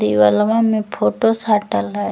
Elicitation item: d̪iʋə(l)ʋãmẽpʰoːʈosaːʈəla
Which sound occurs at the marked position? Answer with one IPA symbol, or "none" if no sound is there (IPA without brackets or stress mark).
l